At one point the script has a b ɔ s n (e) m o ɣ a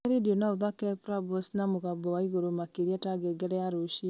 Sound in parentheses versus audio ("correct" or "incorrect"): incorrect